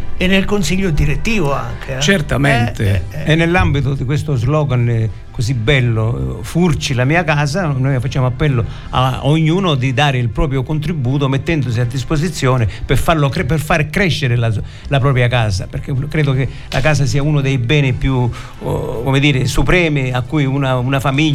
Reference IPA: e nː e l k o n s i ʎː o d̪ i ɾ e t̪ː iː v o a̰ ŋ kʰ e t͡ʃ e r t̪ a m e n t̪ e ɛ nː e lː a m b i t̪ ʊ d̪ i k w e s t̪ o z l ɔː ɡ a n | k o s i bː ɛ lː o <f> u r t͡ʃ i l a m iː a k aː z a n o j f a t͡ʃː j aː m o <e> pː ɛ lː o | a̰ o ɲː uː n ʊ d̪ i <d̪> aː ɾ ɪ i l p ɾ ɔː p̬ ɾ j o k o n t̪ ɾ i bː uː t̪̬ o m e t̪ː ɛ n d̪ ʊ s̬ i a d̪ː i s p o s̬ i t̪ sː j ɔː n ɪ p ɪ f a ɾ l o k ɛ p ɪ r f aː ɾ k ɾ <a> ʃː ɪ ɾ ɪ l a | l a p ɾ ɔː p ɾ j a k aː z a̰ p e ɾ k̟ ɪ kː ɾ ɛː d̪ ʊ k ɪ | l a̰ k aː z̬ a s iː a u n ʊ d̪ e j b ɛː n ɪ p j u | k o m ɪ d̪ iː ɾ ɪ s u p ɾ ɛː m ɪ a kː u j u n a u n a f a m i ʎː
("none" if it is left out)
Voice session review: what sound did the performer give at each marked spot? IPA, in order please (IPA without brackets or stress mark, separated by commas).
f, a, d̪, ɛ